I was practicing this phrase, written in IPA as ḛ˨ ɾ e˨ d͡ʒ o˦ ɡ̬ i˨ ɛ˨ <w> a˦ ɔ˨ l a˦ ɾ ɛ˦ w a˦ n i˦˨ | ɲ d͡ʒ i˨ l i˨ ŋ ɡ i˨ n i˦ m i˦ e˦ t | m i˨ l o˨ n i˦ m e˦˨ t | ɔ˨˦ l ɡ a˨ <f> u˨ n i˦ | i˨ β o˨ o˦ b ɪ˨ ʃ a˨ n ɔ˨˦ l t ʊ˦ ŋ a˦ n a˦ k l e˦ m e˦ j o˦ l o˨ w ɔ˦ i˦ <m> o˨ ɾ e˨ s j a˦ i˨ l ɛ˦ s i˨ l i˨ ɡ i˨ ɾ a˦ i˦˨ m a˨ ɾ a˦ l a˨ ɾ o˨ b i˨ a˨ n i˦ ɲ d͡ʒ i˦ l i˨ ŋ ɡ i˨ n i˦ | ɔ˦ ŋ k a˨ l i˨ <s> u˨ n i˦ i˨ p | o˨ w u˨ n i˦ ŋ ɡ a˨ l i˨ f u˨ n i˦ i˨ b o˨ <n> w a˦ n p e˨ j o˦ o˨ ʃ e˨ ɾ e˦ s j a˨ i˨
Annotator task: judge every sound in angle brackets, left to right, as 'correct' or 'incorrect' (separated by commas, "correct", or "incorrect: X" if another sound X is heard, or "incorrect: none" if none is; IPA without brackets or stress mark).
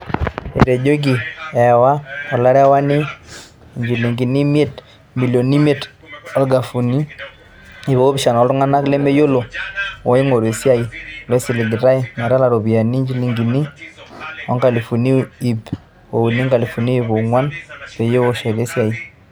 correct, correct, incorrect: ŋ, incorrect: f, incorrect: ŋ